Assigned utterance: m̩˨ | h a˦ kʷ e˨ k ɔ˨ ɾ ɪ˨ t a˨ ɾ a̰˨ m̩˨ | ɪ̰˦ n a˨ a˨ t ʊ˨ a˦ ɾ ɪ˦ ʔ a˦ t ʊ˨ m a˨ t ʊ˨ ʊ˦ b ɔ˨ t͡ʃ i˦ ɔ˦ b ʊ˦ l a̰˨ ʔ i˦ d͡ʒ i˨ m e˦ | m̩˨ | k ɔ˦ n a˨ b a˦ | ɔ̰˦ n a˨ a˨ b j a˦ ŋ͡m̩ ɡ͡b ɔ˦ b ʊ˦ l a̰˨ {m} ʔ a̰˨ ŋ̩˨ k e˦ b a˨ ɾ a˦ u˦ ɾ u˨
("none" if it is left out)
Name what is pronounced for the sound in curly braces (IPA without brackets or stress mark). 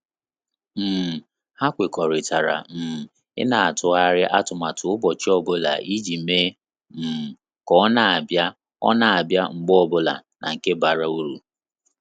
n